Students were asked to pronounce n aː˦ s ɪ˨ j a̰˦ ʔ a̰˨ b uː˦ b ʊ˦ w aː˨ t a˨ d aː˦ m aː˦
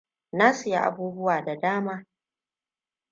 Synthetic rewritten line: n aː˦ s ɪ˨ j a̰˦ ʔ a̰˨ b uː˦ b ʊ˦ w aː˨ d a˨ d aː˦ m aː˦